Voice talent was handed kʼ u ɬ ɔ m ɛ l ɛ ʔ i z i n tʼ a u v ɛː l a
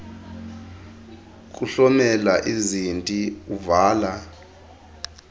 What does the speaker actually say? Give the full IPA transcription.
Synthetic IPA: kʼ u ɬ ɔ m ɛ l a ʔ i z i n tʼ i u v aː l a